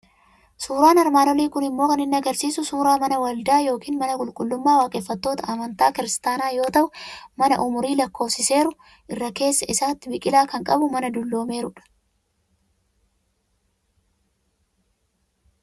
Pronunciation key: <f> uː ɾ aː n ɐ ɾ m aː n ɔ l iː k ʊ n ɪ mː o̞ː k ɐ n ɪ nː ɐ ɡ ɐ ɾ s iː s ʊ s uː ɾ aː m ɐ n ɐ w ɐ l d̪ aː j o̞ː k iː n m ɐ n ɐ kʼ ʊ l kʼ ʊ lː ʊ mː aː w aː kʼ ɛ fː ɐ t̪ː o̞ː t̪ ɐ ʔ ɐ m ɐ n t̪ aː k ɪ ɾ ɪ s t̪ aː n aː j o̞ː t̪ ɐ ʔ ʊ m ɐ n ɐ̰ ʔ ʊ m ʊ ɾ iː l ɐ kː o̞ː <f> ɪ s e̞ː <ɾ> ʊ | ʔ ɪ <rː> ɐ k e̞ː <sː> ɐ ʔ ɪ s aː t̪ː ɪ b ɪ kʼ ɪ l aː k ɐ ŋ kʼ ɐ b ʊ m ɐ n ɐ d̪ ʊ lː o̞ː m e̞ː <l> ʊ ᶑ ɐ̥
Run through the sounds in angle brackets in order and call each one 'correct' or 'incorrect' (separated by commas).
incorrect, incorrect, correct, correct, correct, incorrect